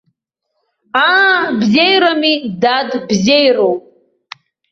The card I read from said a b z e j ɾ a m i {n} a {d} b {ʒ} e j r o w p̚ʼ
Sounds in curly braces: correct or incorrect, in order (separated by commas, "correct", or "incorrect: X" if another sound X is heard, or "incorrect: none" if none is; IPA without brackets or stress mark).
incorrect: d, correct, incorrect: z